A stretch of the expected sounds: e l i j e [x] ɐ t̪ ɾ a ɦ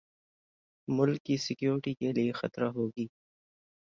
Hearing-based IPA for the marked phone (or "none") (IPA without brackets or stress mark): x